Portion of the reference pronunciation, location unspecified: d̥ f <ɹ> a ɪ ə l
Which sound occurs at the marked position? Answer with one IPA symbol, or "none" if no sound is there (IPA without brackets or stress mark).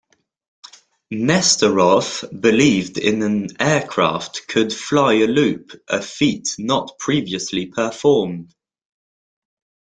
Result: l